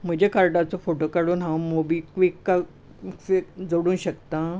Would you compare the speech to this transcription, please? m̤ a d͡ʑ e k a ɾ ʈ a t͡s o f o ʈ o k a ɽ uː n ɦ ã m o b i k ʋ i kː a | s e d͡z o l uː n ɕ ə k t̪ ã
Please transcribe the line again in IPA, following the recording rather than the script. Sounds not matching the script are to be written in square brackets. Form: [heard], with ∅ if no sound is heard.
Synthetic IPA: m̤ [ə] d͡ʑ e k a ɾ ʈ a t͡s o f o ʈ o k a ɽ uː n ɦ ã m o b i k ʋ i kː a | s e d͡z o [ɽ] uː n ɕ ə k t̪ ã